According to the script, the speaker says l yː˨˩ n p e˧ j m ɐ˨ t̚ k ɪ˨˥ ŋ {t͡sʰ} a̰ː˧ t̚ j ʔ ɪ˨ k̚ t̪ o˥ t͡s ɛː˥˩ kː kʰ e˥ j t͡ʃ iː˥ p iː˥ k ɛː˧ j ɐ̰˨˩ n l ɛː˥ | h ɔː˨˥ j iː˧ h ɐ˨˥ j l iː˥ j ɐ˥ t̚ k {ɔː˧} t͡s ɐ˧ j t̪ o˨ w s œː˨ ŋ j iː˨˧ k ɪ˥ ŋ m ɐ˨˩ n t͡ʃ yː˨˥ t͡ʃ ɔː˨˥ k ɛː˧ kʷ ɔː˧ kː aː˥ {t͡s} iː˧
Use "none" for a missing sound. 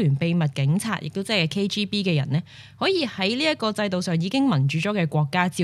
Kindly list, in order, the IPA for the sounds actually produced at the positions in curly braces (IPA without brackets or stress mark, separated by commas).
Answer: t͡sʰ, ɔː˧, t͡s